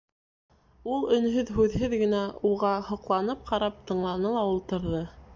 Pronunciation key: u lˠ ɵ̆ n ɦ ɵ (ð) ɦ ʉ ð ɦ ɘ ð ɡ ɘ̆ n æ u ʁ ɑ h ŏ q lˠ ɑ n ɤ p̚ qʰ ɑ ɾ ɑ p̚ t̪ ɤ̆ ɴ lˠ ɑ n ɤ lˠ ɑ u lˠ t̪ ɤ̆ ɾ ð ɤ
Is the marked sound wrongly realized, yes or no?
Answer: no